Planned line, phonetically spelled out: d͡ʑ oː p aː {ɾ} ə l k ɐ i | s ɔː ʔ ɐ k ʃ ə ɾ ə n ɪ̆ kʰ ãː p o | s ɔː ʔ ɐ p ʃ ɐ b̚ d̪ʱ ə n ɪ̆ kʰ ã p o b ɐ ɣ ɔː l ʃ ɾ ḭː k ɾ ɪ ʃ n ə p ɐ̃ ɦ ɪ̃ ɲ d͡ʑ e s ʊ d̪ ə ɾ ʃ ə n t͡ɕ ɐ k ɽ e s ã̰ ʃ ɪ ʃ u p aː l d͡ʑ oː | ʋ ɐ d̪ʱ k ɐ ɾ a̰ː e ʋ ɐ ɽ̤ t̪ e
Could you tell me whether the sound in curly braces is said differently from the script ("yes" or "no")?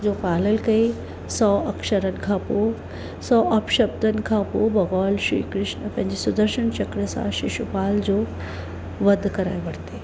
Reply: yes